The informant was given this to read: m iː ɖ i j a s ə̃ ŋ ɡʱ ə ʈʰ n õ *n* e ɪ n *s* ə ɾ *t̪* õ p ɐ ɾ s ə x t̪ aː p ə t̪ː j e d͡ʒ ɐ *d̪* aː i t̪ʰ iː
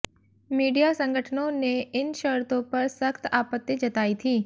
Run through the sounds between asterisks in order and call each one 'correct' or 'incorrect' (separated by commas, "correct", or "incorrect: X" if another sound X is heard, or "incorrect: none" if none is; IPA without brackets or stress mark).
correct, incorrect: ʃ, correct, incorrect: t̪